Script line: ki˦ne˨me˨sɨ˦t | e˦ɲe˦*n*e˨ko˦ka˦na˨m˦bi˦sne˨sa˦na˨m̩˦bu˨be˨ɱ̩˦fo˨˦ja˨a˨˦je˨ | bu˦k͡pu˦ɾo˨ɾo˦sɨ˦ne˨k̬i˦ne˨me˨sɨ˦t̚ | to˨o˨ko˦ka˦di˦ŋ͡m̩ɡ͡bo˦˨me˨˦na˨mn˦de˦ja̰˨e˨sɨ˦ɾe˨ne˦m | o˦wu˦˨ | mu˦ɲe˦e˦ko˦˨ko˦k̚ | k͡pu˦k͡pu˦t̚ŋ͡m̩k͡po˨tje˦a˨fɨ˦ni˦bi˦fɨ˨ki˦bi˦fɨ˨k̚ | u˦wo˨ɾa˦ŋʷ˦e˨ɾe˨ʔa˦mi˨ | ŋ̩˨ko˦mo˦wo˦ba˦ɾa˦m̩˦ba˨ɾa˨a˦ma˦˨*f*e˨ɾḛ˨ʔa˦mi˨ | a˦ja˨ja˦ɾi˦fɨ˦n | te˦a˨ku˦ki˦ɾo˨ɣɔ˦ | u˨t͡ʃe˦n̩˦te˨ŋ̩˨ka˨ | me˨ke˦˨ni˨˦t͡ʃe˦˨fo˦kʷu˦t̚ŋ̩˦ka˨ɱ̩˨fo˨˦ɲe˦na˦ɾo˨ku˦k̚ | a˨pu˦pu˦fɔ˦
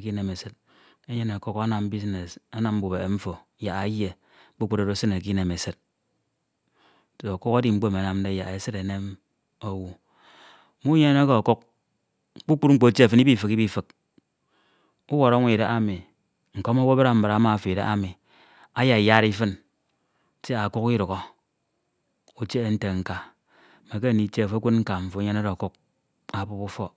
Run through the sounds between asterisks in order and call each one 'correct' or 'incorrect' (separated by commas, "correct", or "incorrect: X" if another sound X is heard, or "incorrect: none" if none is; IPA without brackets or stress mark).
correct, correct